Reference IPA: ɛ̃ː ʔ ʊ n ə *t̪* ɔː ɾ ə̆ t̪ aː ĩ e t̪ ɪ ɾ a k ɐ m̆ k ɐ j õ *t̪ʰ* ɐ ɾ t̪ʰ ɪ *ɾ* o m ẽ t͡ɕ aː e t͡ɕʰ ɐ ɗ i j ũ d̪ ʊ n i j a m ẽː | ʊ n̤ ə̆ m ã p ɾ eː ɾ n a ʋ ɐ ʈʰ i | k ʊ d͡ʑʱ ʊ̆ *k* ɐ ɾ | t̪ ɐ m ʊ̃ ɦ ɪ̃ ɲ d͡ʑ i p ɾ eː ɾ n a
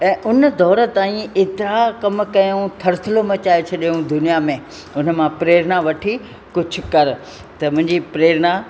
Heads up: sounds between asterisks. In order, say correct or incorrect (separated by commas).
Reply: incorrect, correct, incorrect, correct